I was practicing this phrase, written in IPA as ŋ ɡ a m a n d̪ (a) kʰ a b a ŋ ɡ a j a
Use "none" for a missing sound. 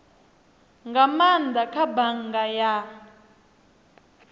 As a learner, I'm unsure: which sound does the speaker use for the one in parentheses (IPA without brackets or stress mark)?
a